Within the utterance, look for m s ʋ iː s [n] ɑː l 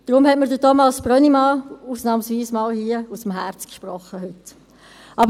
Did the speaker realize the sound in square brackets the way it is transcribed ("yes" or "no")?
no